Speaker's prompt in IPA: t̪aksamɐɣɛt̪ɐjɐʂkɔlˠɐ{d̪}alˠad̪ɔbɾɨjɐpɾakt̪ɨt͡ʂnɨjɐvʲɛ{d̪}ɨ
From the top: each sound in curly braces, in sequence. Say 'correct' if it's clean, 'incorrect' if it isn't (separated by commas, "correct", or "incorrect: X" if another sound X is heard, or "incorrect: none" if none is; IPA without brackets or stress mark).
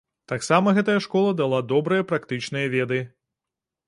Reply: correct, correct